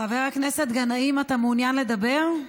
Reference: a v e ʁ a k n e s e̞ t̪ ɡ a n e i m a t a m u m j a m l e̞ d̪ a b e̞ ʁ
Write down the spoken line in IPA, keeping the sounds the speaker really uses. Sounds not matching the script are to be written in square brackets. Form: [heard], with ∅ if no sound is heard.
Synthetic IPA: a v e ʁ a k n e s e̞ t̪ ɡ a n [a] i m a t a m u [n] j a [n] l e̞ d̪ a b e̞ ʁ